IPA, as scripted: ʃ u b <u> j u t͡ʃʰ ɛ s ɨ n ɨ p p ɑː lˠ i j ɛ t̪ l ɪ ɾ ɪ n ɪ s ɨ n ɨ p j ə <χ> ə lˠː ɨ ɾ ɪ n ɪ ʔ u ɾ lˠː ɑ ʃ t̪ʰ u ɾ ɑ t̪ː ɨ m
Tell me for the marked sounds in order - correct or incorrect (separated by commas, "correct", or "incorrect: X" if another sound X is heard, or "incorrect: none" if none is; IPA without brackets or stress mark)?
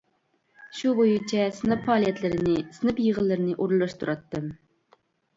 incorrect: o, incorrect: ʁ